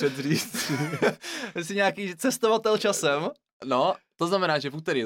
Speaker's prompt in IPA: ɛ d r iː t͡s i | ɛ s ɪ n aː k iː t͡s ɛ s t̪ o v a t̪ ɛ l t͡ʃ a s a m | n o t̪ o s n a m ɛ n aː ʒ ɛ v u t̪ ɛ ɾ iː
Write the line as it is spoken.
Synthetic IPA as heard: ɛ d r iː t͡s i | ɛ s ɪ ɲ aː k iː t͡s ɛ s t̪ o v a t̪ ɛ l t͡ʃ a s ɛ m | n o t̪ o z n a m ɛ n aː ʒ ɛ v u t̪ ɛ ɾ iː